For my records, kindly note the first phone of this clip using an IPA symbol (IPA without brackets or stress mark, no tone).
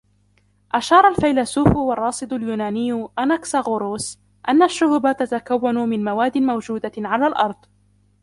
ʔ